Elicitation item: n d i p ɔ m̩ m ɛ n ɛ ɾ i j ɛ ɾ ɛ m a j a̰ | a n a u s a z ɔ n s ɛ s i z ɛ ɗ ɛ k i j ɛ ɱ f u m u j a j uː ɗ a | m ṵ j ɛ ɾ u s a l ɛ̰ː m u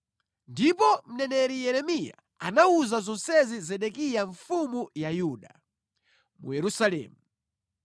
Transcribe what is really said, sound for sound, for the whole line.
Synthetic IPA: n d i p ɔ m̩ n ɛ n ɛ ɾ i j ɛ ɾ ɛ m i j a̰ | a n a u z a z ɔ n s ɛ z i z ɛ ɗ ɛ k i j a ɱ f u m u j a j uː ɗ a | m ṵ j ɛ ɾ u s a l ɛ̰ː m u